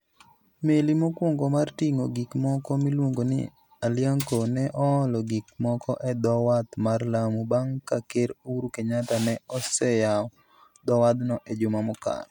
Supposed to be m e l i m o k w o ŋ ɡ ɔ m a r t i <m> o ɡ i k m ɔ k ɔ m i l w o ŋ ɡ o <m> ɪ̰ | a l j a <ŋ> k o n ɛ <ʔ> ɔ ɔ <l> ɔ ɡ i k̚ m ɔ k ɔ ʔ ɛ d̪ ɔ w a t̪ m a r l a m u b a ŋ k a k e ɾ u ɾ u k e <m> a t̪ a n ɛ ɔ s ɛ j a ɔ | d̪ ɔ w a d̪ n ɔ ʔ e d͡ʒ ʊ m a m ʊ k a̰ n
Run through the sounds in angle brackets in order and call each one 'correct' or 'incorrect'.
incorrect: ŋ, incorrect: n, correct, correct, correct, incorrect: ɲ

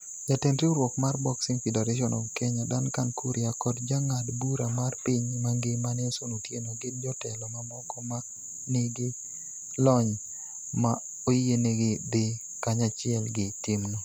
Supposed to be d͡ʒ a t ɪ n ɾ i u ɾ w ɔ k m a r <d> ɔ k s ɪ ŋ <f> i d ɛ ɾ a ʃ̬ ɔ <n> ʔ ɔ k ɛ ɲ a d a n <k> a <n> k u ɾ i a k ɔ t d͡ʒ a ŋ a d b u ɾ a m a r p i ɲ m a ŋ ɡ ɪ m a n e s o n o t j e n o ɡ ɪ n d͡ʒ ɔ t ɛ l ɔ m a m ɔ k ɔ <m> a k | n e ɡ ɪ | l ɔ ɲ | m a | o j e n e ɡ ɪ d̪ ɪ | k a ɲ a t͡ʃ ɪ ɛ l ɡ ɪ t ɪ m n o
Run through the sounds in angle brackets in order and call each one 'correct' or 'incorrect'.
incorrect: b, correct, correct, correct, correct, correct

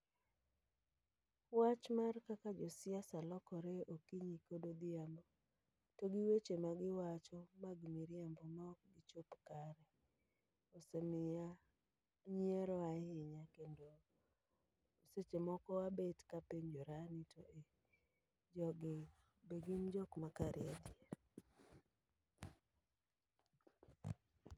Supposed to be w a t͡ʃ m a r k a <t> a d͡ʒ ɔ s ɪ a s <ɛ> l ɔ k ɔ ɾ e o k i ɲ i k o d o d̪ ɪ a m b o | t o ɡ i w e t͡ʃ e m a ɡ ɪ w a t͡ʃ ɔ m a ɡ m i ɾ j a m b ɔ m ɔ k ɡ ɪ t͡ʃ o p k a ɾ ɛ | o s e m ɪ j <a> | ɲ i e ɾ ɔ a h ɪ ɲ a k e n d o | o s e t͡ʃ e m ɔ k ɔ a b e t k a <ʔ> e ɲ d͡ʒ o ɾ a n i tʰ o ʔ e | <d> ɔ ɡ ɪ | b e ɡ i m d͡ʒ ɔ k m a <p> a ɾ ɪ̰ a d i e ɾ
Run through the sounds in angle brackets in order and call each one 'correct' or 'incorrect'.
incorrect: k, incorrect: a, correct, incorrect: p, incorrect: d͡ʒ, incorrect: k

